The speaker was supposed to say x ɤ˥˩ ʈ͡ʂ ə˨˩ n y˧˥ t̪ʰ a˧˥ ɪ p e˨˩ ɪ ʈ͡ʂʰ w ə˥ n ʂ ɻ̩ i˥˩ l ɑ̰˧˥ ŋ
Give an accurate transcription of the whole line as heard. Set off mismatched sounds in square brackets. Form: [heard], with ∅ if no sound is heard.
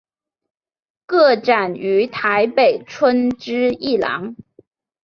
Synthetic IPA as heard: [k] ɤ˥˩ ʈ͡ʂ [a˨˩] n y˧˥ t̪ʰ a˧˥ ɪ p e˨˩ ɪ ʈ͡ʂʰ w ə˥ n [ʈ͡ʂ] ɻ̩ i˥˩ l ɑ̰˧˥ ŋ